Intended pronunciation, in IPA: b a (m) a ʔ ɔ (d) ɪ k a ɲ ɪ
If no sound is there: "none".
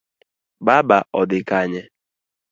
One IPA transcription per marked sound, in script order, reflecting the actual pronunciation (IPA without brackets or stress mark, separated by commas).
b, d